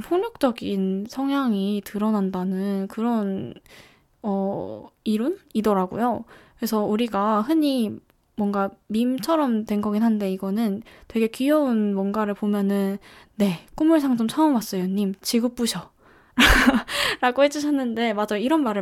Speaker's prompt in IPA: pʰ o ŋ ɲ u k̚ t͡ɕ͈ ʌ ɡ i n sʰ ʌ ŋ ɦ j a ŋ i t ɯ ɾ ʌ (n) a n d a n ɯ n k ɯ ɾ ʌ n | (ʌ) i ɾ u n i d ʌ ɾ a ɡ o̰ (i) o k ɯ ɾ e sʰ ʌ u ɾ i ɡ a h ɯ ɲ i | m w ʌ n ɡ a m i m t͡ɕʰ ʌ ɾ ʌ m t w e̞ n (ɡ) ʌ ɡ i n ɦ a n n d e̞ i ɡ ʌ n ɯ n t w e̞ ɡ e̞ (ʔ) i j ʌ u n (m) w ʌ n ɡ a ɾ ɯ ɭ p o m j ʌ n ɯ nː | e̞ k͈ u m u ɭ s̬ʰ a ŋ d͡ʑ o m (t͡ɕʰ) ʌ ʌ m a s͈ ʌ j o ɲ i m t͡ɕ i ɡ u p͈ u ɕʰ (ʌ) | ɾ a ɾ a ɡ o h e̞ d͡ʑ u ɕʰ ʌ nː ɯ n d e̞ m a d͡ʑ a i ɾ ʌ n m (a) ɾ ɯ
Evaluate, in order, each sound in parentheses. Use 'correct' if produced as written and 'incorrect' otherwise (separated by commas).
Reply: correct, correct, incorrect, correct, incorrect, correct, correct, correct, correct